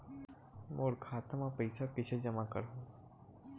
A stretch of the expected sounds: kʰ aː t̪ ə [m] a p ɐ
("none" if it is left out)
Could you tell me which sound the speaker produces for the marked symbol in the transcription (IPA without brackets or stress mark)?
m